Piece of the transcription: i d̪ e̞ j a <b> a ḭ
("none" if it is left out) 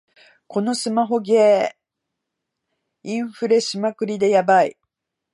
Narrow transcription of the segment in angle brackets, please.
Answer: b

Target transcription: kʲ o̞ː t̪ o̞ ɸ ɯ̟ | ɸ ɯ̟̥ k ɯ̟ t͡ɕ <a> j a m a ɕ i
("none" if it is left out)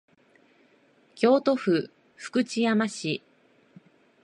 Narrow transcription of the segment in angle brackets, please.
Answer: i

